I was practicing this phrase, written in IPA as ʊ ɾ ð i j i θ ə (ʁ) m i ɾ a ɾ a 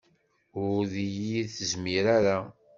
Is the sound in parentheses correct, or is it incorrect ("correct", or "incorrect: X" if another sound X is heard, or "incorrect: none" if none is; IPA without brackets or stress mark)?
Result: incorrect: z